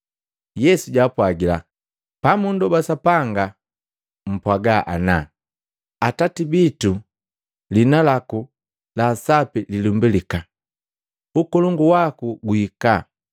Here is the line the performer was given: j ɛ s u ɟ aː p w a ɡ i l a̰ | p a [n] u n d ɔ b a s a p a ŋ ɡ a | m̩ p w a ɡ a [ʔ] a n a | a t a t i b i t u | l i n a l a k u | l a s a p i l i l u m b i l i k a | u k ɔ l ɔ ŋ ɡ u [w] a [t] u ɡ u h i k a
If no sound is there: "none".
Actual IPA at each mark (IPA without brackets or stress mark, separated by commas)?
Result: m, ʔ, w, k